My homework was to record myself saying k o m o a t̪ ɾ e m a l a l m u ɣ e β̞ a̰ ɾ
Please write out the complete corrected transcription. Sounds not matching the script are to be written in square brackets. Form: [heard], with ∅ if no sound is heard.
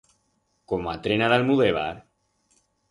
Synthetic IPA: k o m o a t̪ ɾ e [n] a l a l m u [ð] e β̞ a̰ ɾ